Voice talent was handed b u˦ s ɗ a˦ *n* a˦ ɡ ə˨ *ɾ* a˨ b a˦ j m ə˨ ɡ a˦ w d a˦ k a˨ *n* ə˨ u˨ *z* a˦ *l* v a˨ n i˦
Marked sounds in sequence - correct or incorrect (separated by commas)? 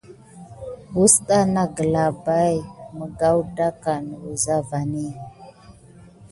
correct, incorrect, correct, correct, incorrect